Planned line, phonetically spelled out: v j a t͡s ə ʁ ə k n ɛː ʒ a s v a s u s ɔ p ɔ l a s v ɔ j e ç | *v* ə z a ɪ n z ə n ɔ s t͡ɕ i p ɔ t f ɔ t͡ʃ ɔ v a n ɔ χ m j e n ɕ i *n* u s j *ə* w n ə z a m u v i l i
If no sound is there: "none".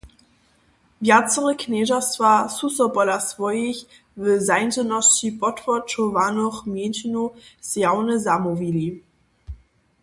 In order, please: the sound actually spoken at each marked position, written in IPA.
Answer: v, n, a

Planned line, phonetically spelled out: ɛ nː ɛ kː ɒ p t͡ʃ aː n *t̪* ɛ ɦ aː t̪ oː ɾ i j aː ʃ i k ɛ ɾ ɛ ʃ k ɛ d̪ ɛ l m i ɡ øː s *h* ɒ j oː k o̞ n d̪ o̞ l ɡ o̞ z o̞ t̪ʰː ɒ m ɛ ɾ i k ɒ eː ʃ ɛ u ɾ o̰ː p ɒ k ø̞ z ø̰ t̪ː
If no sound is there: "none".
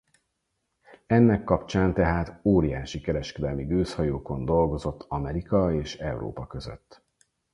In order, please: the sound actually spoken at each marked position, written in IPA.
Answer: t̪, h

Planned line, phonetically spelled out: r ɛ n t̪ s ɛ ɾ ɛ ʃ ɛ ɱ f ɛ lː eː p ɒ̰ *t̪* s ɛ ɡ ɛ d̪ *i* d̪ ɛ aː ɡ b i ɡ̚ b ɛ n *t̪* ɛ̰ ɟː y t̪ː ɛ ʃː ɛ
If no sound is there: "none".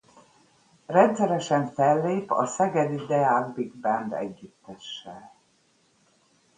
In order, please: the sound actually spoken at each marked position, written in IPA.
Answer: none, i, d̪

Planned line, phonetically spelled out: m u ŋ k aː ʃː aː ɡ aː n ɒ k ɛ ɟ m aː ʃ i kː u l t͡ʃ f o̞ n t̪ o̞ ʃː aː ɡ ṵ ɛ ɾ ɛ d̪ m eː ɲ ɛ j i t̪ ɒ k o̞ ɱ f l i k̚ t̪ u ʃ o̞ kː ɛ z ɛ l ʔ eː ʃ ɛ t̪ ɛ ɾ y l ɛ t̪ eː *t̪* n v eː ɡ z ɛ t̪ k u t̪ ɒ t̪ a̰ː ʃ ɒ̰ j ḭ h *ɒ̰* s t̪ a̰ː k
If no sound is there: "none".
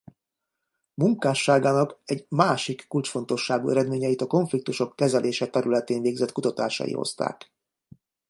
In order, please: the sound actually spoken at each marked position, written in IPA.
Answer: none, o̰

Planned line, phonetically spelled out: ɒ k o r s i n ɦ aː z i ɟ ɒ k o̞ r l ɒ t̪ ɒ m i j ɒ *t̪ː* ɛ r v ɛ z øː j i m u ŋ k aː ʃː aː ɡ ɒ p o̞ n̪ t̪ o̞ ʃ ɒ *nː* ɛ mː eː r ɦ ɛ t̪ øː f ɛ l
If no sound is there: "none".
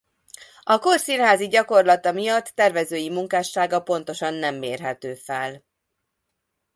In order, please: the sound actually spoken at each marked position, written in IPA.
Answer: t̪ː, nː

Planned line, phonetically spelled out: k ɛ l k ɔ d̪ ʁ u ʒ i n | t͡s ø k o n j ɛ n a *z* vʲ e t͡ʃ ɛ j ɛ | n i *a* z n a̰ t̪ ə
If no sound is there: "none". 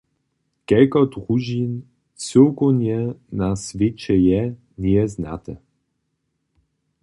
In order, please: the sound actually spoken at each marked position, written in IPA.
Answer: s, ɛ

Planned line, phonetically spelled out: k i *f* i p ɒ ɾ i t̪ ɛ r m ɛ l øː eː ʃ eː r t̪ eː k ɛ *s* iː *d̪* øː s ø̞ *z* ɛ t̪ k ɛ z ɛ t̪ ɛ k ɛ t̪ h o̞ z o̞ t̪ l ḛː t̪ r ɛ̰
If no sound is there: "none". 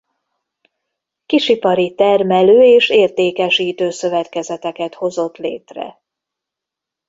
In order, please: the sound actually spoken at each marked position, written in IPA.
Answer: ʃ, ʃ, t̪, v

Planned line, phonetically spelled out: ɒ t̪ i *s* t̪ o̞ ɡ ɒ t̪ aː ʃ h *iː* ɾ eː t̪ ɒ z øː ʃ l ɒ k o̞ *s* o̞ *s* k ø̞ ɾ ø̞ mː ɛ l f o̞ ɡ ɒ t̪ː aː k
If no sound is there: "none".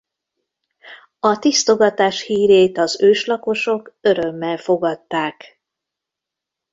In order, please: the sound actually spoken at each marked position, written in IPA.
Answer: s, iː, ʃ, none

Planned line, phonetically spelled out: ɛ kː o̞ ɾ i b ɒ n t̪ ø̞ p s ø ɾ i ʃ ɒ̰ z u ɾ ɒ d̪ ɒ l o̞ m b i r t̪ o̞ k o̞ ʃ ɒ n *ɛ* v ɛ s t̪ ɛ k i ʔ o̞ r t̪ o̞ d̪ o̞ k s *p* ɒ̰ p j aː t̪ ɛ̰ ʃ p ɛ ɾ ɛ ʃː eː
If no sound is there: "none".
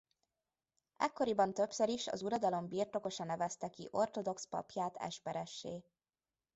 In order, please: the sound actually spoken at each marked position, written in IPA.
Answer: ɛ, p

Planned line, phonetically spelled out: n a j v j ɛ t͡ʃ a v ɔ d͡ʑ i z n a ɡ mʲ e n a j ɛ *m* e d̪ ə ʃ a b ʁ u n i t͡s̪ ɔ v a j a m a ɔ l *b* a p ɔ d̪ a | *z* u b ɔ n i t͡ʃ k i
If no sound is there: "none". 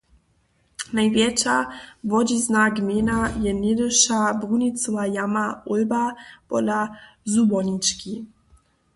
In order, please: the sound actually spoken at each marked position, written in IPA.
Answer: n, b, z

